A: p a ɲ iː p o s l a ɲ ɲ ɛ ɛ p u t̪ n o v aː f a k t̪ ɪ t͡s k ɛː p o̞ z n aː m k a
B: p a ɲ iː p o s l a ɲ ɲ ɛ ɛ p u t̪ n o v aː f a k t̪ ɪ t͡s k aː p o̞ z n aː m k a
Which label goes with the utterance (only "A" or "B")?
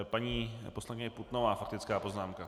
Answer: B